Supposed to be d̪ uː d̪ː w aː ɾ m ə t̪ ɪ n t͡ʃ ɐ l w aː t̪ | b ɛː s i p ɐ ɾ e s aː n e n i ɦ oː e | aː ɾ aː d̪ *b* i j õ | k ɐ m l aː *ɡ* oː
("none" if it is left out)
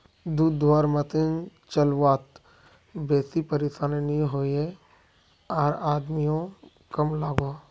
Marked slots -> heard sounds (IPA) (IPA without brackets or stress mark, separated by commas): m, ɡ